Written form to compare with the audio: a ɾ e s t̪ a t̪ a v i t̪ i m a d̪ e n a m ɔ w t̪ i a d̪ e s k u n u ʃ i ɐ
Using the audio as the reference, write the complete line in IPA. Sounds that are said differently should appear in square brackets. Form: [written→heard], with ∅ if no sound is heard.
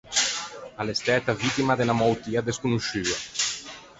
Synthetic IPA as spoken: a [ɾ→l] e s t̪ [a→ɛ] t̪ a v i t̪ i m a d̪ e n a m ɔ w t̪ i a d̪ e s k u n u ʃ [i→y] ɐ